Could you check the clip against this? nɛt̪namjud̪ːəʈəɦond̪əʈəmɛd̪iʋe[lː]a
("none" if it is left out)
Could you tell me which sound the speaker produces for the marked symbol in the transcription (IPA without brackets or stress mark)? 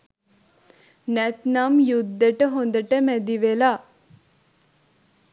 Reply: l